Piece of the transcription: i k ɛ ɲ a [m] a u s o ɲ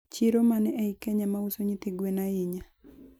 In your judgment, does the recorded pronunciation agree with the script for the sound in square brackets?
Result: yes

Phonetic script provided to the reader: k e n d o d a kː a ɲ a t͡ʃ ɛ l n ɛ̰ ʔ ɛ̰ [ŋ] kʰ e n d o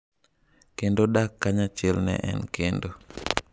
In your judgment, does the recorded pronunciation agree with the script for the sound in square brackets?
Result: no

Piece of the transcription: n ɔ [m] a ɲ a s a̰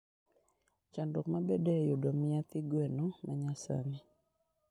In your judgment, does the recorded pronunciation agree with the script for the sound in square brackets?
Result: yes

